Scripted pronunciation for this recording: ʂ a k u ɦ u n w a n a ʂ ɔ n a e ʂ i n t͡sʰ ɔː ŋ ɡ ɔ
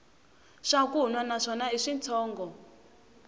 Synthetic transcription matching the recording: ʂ a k u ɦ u n w a n a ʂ ɔ n a i ʂ i n t͡sʰ ɔː ŋ ɡ ɔ